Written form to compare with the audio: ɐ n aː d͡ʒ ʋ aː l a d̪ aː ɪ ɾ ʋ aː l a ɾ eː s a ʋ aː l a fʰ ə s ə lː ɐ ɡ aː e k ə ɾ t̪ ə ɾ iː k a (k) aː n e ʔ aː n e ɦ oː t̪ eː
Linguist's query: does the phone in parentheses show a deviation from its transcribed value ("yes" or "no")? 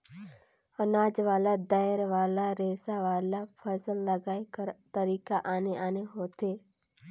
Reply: yes